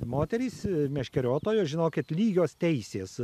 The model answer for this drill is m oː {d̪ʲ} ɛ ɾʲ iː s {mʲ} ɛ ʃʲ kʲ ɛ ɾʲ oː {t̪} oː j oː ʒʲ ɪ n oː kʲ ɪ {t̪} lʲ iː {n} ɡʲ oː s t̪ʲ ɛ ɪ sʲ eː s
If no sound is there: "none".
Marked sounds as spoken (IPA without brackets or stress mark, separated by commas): t̪ʲ, mʲ, t̪, t̪, none